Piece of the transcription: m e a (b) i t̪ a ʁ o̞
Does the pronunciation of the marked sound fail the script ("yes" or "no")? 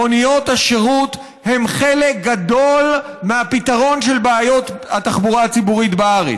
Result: yes